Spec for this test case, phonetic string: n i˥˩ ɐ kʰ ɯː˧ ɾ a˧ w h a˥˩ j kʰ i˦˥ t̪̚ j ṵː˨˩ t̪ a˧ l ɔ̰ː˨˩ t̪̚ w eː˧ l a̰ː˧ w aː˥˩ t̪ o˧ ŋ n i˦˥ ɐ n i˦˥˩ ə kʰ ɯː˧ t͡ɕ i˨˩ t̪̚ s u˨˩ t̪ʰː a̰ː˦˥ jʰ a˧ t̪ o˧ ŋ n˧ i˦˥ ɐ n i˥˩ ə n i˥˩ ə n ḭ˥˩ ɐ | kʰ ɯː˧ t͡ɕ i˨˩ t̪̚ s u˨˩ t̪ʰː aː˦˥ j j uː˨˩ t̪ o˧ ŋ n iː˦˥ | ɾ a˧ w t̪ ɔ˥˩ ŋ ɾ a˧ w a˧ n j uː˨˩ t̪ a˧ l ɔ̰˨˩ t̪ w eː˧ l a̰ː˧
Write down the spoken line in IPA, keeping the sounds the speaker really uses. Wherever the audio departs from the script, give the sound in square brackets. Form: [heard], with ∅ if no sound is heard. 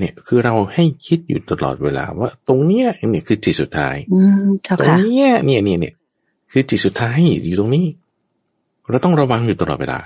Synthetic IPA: n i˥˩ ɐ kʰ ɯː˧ ɾ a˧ w h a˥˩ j kʰ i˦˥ t̪̚ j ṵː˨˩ t̪ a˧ l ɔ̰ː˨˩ t̪̚ w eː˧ l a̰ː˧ w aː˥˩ t̪ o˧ ŋ n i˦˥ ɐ n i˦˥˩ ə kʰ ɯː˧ t͡ɕ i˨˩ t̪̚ s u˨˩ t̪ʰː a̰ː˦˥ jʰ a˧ t̪ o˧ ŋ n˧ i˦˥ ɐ n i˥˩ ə n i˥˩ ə n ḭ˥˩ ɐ | kʰ ɯː˧ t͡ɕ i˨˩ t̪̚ s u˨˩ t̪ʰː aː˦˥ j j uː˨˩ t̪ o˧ ŋ n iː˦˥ | ɾ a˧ w t̪ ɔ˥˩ ŋ ɾ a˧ w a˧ [ŋ] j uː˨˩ t̪ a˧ l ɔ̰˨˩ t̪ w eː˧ l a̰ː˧